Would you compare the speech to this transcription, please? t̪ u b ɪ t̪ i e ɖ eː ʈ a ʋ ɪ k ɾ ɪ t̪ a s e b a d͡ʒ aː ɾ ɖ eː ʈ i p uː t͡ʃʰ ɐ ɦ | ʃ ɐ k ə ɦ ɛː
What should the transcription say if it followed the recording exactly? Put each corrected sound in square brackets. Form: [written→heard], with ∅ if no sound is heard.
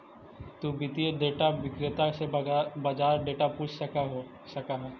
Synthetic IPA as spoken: t̪ u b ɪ t̪ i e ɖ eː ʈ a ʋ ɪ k ɾ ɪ t̪ a s e b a d͡ʒ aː ɾ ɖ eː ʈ [i→a] p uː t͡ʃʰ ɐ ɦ | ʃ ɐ k [ə→a] ɦ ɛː